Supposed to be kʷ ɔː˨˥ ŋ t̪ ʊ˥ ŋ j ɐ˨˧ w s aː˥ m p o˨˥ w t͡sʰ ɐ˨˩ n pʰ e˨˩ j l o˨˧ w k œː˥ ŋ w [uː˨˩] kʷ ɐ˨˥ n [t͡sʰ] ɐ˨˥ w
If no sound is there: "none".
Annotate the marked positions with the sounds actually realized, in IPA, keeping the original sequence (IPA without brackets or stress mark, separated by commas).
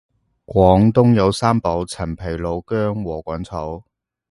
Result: ɔː˨˩, t͡sʰ